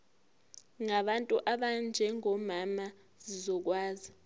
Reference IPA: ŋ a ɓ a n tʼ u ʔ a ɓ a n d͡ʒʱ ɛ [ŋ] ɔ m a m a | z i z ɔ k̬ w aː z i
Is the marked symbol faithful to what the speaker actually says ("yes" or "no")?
yes